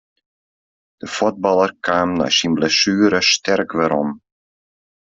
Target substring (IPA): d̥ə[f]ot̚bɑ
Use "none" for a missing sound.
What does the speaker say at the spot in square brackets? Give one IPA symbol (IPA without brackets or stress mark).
f